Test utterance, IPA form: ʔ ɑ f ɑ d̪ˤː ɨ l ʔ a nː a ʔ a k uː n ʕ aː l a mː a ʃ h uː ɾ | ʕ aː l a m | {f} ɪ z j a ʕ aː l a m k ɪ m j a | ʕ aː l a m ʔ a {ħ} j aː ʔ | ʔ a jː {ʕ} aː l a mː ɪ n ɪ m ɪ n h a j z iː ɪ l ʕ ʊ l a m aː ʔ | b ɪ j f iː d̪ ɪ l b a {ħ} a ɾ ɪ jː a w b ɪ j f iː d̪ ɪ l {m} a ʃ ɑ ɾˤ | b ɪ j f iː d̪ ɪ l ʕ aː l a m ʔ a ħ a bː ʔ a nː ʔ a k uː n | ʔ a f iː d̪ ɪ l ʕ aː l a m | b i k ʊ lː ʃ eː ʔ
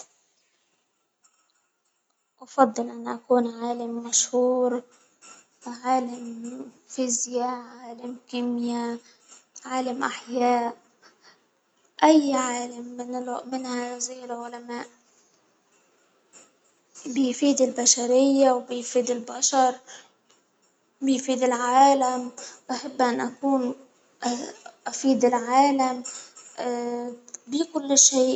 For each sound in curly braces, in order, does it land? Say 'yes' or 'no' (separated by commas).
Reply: yes, yes, yes, no, no